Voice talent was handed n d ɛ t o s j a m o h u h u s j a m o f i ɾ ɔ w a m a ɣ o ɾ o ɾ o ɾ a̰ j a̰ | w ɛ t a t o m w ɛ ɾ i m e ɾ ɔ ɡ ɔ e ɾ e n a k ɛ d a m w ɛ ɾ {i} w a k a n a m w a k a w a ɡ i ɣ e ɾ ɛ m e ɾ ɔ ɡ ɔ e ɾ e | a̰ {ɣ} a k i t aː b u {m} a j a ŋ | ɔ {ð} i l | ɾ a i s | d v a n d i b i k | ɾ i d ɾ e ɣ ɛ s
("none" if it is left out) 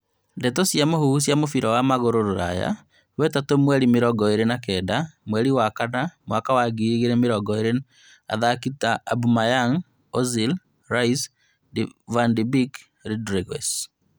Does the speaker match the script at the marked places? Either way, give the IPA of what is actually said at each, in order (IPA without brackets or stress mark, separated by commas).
i, ð, m, z